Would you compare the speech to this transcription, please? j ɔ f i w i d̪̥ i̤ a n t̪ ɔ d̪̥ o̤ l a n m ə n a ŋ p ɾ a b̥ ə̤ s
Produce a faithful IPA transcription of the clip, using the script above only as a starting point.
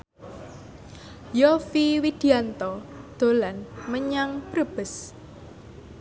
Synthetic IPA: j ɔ f i w i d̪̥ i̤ a n t̪ ɔ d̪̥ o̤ l a n m ə ɲ a ŋ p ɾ ə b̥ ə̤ s